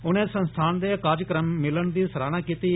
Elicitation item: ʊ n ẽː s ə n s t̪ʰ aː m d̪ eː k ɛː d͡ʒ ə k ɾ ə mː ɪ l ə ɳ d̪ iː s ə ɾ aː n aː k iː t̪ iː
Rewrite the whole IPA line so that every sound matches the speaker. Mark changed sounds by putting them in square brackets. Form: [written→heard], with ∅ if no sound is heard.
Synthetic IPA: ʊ n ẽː s ə n s t̪ʰ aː [m→n] d̪ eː k [ɛː→aː] d͡ʒ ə k ɾ ə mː ɪ l ə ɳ d̪ iː s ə ɾ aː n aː k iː t̪ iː